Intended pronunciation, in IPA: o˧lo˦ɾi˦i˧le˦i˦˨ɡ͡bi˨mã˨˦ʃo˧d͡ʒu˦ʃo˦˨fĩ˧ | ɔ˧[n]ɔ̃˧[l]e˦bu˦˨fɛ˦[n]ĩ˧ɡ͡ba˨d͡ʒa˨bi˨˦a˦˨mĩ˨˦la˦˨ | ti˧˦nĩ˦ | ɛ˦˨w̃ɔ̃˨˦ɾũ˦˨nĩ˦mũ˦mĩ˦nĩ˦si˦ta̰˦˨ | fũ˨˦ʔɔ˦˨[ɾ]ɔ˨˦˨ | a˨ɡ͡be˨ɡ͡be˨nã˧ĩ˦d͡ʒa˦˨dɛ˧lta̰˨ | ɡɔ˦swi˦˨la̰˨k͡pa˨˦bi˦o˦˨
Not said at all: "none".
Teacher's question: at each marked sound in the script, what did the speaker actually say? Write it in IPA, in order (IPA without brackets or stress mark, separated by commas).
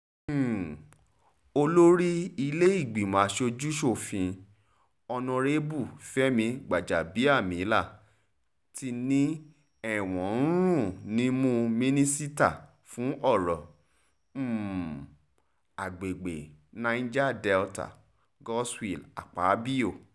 n, ɾ, m, ɾ